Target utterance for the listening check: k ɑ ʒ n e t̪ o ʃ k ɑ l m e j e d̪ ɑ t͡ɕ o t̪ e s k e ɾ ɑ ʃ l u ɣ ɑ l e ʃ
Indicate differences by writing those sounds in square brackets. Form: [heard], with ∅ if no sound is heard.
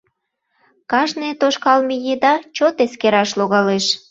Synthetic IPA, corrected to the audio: k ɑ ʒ n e t̪ o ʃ k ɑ l m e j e d̪ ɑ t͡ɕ o t̪ e s k e ɾ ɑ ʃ l [o] ɣ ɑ l e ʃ